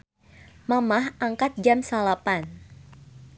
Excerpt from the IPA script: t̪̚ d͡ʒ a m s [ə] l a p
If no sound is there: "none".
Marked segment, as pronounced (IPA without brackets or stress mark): a